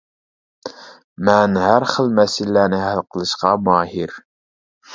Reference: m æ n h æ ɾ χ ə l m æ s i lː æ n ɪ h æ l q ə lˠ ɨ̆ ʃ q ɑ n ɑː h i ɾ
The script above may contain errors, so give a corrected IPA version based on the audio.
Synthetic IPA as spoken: m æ n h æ ɾ χ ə l m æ s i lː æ n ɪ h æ l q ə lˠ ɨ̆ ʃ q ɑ m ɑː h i ɾ